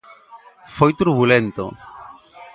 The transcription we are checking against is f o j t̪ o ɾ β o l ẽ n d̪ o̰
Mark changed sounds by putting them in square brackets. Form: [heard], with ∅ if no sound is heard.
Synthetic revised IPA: f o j t̪ [u] ɾ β [u] l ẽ n [t̪] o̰